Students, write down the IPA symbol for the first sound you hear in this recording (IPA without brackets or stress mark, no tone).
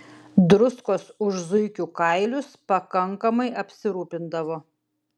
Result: d̪